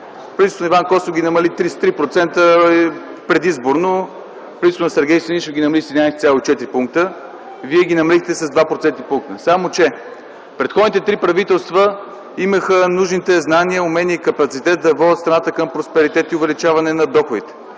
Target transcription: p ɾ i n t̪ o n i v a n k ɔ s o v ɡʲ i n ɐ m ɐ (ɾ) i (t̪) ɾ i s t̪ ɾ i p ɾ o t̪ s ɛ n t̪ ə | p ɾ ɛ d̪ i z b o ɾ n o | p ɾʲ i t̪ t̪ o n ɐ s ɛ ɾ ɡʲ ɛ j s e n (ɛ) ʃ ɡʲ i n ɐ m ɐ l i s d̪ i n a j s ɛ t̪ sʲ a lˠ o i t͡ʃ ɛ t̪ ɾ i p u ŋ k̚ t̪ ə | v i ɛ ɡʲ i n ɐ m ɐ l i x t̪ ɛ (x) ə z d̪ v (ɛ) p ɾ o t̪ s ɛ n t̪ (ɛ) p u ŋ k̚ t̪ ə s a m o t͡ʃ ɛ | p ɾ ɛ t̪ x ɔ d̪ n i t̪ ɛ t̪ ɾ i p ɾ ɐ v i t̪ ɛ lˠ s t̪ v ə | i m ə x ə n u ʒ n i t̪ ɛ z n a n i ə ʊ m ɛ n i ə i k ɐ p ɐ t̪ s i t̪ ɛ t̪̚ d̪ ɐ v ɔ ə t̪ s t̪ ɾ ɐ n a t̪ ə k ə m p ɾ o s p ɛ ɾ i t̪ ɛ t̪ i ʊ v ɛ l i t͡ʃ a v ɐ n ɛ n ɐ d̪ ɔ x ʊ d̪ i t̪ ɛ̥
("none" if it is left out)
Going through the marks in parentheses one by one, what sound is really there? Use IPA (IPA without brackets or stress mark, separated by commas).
l, t̪, i, s, a, i